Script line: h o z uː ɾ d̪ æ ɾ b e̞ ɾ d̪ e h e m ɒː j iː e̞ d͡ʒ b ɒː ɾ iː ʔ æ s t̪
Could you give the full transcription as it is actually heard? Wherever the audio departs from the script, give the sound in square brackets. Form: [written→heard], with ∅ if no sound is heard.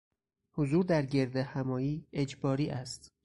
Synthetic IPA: h o z uː ɾ d̪ æ ɾ [b→ɟ] e̞ ɾ d̪ e h [e→æ] m ɒː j iː e̞ d͡ʒ b ɒː ɾ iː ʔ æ s t̪